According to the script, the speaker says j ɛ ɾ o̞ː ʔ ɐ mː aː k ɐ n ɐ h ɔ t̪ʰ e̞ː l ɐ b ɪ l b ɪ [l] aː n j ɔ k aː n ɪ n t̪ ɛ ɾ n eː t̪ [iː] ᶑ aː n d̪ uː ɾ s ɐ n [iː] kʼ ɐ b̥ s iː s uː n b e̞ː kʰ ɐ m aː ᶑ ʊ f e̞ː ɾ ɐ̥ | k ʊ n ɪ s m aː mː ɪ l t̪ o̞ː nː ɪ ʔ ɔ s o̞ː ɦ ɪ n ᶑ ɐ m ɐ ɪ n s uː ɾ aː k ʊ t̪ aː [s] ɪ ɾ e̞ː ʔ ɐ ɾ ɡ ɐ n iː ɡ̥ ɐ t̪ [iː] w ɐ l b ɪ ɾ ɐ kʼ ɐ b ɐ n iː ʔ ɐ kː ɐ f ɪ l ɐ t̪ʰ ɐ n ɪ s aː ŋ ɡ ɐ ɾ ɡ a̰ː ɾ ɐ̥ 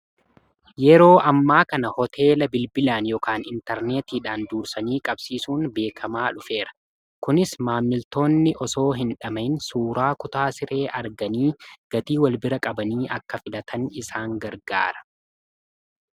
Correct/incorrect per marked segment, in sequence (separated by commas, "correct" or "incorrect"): correct, correct, correct, correct, correct